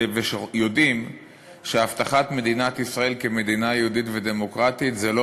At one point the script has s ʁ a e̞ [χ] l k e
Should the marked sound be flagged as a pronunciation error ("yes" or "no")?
yes